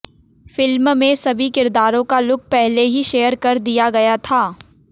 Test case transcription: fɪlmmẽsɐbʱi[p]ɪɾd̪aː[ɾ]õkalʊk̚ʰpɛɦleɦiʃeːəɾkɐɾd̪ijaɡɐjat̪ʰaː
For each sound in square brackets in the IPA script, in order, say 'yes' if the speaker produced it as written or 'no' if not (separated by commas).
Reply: no, yes